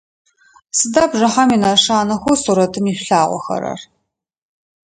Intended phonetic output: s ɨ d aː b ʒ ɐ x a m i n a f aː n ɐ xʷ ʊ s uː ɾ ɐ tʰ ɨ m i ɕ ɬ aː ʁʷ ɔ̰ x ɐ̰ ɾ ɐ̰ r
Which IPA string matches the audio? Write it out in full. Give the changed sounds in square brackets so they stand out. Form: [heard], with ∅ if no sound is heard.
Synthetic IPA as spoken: s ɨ d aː b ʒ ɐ [ħ] a m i n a [ʂ] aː n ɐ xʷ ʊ s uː ɾ ɐ tʰ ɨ m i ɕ ɬ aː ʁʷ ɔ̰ x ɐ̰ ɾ ɐ̰ r